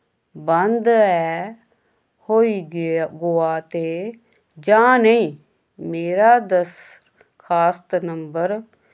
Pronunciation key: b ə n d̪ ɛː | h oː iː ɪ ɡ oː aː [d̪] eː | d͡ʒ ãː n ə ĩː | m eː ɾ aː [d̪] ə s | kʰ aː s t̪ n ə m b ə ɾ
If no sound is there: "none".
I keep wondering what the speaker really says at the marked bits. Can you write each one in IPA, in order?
t̪, d̪

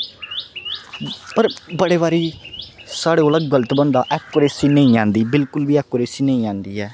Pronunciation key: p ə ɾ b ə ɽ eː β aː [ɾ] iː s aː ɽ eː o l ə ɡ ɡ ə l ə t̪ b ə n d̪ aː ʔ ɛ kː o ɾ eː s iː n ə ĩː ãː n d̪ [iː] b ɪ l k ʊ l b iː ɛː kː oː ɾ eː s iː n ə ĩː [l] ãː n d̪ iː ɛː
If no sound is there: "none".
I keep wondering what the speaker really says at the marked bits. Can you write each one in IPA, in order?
ɾ, iː, none

